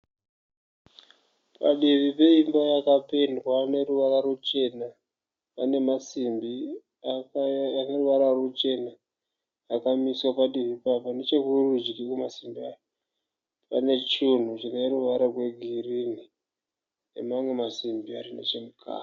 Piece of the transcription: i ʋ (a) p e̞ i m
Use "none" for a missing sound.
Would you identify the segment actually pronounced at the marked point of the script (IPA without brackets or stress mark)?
i